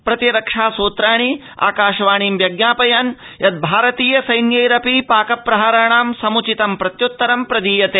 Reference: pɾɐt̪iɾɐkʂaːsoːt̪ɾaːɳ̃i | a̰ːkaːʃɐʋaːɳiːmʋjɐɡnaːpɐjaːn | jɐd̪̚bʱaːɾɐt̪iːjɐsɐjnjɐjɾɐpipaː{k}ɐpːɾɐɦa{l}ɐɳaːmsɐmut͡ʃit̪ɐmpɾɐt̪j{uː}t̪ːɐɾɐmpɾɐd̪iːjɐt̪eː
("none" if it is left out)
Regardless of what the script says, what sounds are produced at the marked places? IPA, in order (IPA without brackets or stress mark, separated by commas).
k, ɾ, u